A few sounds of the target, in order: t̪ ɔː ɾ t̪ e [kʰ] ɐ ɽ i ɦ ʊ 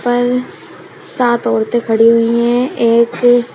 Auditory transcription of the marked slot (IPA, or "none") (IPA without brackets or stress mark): kʰ